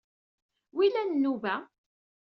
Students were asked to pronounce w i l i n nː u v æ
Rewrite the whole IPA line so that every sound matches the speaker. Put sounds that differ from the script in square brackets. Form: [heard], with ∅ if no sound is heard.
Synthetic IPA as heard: w i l [æ] n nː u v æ